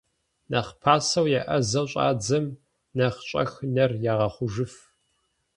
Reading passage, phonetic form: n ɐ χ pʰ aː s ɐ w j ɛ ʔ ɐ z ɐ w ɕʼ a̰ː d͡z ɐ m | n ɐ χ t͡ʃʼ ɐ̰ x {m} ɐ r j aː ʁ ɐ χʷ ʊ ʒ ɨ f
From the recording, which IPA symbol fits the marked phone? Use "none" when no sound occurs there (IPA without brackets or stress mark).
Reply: n